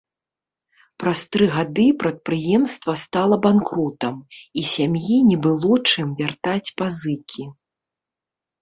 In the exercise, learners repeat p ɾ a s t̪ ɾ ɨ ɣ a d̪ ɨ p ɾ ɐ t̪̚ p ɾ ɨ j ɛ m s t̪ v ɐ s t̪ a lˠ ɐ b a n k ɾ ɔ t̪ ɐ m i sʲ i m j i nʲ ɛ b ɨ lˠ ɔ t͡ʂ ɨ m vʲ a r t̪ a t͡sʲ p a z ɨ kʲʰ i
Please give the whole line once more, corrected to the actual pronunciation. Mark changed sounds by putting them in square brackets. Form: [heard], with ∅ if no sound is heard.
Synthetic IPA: p ɾ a s t̪ ɾ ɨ ɣ a d̪ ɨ p ɾ ɐ t̪̚ p ɾ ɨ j ɛ m s t̪ v ɐ s t̪ a lˠ ɐ b a n k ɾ ɔ t̪ ɐ m i sʲ [a] m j i nʲ ɛ b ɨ lˠ ɔ t͡ʂ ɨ m vʲ a r t̪ a t͡sʲ p a z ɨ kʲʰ i